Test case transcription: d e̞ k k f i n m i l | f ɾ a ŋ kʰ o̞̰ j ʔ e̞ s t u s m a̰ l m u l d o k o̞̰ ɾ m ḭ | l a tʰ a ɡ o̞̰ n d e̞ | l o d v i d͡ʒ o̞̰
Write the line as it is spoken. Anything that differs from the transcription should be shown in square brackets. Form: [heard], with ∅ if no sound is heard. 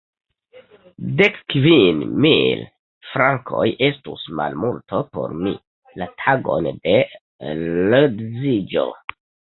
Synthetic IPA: d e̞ k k [v] i n m i l | f ɾ a ŋ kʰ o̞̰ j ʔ e̞ s t u s m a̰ l m u l [t] o [p] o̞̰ ɾ m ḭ | l a tʰ a ɡ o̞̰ n d e̞ | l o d [z] i d͡ʒ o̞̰